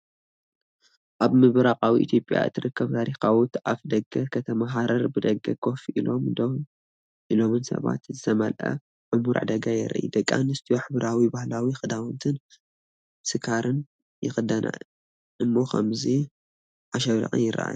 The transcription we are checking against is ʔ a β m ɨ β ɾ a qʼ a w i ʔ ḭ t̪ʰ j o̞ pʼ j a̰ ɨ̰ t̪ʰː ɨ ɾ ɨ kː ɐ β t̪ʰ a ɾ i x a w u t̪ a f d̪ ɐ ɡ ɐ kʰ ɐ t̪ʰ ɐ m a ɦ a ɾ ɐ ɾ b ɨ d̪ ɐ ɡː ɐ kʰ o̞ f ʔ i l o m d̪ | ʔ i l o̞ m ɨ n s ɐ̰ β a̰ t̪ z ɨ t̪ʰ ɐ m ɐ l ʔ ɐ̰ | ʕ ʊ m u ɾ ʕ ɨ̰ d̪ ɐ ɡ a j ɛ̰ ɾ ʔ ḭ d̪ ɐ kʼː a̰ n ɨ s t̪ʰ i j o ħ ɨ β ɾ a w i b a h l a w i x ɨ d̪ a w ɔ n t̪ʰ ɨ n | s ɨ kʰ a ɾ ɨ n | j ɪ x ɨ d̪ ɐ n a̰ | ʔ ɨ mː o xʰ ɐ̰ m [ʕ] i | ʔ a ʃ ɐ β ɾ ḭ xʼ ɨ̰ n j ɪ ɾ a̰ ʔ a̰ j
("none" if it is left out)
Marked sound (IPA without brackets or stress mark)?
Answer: z